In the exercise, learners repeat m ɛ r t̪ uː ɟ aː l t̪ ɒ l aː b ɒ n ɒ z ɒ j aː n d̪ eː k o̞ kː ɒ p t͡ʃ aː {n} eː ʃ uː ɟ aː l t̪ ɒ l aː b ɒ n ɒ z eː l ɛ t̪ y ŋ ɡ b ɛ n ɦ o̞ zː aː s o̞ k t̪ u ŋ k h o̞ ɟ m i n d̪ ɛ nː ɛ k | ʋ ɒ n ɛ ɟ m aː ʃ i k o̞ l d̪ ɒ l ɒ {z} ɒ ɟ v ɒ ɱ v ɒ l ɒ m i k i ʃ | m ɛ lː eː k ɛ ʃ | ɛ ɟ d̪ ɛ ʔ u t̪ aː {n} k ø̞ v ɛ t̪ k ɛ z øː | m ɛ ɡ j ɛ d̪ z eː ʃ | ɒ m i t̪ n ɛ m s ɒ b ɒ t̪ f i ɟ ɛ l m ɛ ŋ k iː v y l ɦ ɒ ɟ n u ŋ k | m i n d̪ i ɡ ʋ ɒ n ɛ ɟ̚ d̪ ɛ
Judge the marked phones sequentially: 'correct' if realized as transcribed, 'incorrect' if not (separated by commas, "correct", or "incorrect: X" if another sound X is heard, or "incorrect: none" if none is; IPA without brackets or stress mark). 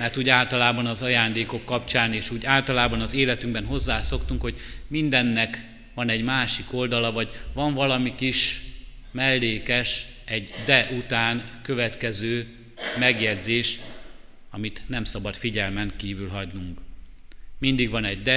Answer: correct, incorrect: v, correct